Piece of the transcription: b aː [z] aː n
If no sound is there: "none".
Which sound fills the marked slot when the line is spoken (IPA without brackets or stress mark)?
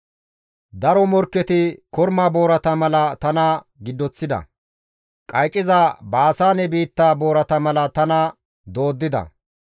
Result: s